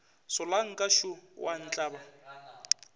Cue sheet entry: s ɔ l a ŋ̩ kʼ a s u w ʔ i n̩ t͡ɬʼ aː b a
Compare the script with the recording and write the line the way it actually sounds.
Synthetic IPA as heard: s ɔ l a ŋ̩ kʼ a ʃ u w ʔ a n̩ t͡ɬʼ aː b a